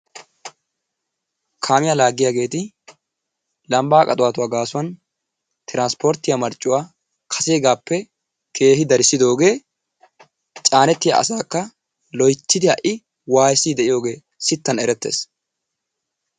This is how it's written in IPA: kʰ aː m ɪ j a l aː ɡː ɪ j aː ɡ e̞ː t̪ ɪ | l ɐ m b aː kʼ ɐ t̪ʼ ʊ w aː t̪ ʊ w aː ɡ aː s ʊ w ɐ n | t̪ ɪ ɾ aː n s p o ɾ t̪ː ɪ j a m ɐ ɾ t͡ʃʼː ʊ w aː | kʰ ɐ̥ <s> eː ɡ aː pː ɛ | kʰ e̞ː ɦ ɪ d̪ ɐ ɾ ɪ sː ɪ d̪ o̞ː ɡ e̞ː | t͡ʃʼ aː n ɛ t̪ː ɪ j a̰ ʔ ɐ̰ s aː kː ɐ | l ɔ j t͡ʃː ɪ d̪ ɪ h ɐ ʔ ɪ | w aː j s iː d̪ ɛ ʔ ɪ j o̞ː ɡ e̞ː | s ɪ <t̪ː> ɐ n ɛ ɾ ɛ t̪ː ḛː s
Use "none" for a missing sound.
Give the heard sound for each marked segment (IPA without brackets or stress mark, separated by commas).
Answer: s, t̪ː